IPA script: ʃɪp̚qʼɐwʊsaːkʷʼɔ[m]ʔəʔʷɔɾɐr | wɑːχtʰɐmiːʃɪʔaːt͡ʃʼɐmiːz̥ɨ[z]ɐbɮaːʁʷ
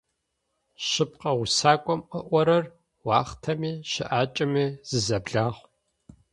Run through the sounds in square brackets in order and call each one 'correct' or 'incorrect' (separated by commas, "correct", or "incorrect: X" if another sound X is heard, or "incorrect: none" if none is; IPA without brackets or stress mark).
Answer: correct, correct